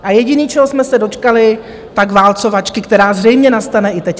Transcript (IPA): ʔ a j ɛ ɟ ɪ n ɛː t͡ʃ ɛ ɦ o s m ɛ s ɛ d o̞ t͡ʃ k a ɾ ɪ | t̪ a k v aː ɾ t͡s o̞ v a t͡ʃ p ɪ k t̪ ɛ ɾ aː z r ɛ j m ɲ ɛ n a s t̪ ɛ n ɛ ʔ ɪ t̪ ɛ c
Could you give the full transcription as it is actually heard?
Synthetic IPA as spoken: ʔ a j ɛ ɟ ɪ n iː t͡ʃ ɛ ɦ o s m ɛ s ɛ d o̞ t͡ʃ k a l ɪ | t̪ a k v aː l t͡s o̞ v a t͡ʃ k ɪ k t̪ ɛ ɾ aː z r ɛ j m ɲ ɛ n a s t̪ a n ɛ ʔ ɪ t̪ ɛ c